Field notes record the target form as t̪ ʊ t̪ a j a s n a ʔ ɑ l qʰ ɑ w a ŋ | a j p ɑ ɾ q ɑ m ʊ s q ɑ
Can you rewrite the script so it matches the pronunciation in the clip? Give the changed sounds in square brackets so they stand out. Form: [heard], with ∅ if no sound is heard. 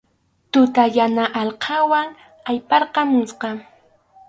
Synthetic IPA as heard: t̪ ʊ t̪ a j a [∅] n a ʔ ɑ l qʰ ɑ w a ŋ | a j p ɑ ɾ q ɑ m ʊ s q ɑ

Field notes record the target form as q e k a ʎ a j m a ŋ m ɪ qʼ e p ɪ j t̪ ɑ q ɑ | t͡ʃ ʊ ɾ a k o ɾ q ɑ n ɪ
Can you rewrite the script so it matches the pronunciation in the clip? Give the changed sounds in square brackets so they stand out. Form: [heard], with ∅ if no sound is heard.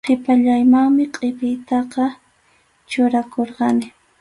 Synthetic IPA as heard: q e [p] a ʎ a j m a ŋ m ɪ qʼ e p ɪ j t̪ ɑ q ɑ | t͡ʃ ʊ ɾ a k o ɾ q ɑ n ɪ

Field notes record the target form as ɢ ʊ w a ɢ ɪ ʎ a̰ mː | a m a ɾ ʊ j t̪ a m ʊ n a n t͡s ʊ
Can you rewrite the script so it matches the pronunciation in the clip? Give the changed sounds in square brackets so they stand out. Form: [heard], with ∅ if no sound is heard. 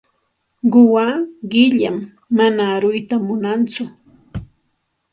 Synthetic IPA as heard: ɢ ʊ w a ɢ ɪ ʎ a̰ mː | a [n] a ɾ ʊ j t̪ a m ʊ n a n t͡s ʊ

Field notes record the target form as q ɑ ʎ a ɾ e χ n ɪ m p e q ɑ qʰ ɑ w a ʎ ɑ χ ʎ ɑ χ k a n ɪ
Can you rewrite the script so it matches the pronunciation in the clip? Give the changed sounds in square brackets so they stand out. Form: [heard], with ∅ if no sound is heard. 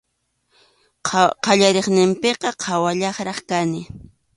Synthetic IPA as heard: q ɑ ʎ a ɾ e χ n ɪ m p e q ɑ qʰ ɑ w a ʎ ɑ χ [ɾ] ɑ χ k a n ɪ

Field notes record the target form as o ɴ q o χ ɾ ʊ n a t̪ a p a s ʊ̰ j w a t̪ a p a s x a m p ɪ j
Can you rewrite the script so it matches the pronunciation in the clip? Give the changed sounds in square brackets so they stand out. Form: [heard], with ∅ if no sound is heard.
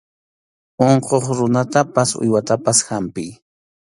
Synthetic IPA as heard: o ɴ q o χ ɾ ʊ n a t̪ a p a s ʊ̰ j w a t̪ a p a s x a m p ɪ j

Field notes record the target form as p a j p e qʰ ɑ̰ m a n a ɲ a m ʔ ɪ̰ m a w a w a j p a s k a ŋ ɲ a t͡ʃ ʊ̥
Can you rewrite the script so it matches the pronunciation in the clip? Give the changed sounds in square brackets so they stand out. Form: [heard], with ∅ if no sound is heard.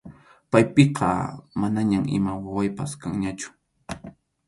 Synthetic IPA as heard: p a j p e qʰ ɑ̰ m a n a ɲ a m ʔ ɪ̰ m a w a w a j p a s k a ŋ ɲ a t͡ʃ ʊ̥

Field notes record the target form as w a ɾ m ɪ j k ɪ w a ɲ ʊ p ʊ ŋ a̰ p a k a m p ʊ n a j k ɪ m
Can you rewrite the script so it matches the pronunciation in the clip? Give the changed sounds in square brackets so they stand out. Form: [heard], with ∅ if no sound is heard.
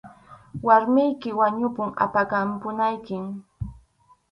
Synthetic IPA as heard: w a ɾ m ɪ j k ɪ w a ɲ ʊ p ʊ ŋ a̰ p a k a m p ʊ n a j k ɪ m

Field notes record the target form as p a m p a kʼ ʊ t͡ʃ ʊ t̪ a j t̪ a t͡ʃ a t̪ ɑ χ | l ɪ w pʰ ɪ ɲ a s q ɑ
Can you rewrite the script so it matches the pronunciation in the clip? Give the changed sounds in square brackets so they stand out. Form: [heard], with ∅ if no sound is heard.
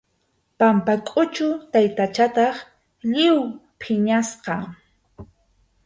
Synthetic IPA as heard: p a m p a kʼ ʊ t͡ʃ ʊ t̪ a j t̪ a t͡ʃ a t̪ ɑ χ | [ʎ] ɪ w pʰ ɪ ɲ a s q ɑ

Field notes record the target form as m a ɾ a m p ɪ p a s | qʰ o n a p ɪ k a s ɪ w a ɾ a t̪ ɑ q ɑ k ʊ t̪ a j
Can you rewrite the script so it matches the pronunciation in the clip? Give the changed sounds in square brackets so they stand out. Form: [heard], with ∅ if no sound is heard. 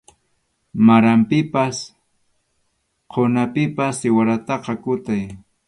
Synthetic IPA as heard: m a ɾ a m p ɪ p a s | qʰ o n a p ɪ [p] a s ɪ w a ɾ a t̪ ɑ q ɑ k ʊ t̪ a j

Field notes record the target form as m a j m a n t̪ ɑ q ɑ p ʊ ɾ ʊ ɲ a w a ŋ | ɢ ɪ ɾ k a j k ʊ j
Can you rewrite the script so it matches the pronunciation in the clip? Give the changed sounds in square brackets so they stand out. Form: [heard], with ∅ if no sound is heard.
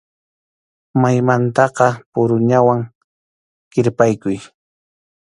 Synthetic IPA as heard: m a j m a n t̪ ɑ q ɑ p ʊ ɾ ʊ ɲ a w a ŋ | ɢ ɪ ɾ [p] a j k ʊ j

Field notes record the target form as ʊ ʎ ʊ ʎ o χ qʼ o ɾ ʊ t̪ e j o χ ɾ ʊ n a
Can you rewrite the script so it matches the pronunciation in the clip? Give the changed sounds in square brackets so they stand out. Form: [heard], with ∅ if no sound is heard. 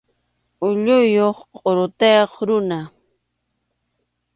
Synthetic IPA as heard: ʊ ʎ ʊ [j] o χ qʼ o ɾ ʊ t̪ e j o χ ɾ ʊ n a

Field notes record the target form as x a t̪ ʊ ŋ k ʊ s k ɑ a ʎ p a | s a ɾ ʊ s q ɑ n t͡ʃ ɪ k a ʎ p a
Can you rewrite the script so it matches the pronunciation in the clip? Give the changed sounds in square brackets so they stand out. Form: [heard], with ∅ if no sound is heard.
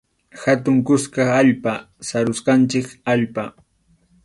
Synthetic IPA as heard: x a t̪ ʊ ŋ k ʊ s k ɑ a ʎ p a | s a ɾ ʊ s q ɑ n t͡ʃ ɪ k a ʎ p a

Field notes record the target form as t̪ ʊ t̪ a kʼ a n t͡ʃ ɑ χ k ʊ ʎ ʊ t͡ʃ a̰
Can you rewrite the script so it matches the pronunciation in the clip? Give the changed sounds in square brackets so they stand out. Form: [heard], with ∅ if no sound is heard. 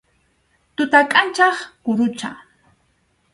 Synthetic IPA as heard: t̪ ʊ t̪ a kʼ a n t͡ʃ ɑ χ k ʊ [ɾ] ʊ t͡ʃ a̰

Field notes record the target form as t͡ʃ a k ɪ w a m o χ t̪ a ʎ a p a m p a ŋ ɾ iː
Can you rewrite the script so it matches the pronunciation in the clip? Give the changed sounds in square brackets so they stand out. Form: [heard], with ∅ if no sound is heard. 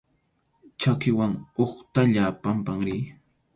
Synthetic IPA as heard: t͡ʃ a k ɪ w a [ŋ] o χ t̪ a ʎ a p a m p a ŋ ɾ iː

